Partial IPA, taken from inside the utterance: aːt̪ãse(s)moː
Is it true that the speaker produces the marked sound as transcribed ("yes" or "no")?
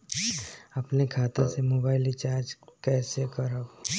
no